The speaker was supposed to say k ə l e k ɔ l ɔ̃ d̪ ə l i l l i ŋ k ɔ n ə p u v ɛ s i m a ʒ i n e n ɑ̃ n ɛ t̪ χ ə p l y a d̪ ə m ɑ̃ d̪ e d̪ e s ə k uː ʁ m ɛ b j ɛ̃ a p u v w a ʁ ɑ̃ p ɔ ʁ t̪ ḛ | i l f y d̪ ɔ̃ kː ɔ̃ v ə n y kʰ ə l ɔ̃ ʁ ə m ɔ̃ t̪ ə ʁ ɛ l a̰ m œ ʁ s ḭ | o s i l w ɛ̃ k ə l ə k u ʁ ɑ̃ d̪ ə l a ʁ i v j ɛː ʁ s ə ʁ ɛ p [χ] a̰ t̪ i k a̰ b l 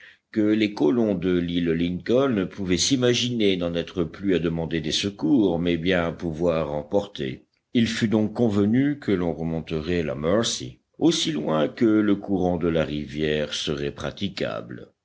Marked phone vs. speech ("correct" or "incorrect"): correct